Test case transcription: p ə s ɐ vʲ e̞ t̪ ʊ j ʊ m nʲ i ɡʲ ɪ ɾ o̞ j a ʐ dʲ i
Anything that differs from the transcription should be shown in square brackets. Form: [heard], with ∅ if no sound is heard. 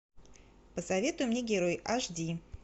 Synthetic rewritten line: p ə s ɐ vʲ e̞ t̪ ʊ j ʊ m nʲ [e] ɡʲ ɪ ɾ o̞ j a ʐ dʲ i